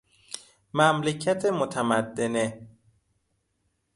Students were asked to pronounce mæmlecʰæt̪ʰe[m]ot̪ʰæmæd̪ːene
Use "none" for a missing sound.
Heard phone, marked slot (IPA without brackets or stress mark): m